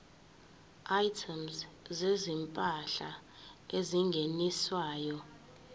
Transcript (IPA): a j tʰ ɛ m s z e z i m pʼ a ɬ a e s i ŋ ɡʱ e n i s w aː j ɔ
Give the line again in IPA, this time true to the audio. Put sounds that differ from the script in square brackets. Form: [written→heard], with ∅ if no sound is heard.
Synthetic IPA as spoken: a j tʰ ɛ m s z e z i m pʼ a ɬ a e [s→z] i ŋ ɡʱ e n i s w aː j ɔ